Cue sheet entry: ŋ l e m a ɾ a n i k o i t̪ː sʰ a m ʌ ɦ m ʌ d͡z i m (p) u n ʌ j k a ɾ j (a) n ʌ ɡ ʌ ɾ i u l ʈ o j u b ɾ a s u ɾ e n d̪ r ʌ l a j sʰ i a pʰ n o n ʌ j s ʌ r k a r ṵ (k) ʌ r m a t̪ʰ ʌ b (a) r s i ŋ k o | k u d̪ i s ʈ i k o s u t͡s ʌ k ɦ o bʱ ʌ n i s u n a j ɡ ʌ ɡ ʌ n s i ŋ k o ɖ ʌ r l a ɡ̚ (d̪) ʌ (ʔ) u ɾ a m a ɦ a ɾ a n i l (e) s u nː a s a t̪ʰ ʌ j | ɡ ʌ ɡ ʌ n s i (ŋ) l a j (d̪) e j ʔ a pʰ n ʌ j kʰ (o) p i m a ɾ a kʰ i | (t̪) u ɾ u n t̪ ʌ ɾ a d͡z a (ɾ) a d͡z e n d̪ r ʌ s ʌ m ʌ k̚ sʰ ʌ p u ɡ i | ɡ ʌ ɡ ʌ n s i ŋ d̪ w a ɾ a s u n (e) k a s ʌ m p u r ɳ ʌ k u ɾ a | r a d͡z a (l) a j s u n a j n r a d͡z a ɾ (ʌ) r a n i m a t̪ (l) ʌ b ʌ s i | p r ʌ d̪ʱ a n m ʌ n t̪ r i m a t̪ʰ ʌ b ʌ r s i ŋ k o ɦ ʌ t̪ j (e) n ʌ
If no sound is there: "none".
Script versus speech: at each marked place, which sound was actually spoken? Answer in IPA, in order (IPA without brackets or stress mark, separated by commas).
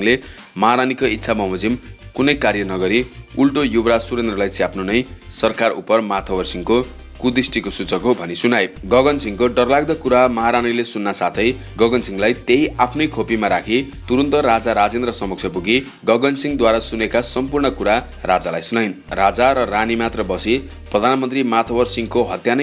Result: k, ʌ, p, ʌ, d̪, k, e, ŋ, t̪, o, t̪, ɾ, e, l, ʌ, r, a